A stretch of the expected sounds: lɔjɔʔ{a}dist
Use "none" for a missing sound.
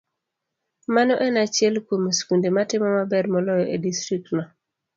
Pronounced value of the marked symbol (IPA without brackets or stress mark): e